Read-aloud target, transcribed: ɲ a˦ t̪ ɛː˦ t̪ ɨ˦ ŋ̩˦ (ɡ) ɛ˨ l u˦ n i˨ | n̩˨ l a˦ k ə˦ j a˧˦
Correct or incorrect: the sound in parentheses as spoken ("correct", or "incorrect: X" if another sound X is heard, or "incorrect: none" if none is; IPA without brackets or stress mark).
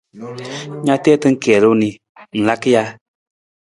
incorrect: k